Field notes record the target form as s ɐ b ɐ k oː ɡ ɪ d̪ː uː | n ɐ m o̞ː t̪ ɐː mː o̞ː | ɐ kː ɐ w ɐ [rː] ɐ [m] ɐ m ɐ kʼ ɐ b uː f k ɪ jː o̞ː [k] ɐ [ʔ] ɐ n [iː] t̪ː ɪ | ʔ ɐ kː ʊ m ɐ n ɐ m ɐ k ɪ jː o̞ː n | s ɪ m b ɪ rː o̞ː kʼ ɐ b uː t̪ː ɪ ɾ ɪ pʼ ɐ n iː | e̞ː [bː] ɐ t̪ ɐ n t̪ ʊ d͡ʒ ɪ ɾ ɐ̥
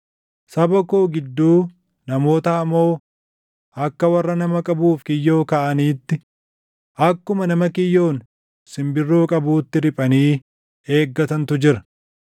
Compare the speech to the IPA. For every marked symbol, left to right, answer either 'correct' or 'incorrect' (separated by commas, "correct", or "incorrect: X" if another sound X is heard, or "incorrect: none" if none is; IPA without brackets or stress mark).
correct, incorrect: n, correct, correct, correct, incorrect: ɡː